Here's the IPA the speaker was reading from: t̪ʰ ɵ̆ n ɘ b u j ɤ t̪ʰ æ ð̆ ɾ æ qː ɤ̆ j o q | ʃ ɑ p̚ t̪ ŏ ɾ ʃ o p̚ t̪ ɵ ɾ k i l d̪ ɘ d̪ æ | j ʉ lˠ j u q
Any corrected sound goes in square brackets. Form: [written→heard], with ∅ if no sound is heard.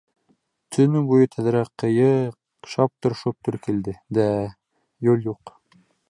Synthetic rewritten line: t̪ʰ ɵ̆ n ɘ b u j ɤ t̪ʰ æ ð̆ ɾ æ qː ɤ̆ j [o→ɤ] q | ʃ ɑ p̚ t̪ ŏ ɾ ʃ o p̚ t̪ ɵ ɾ k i l d̪ ɘ d̪ æ | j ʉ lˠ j u q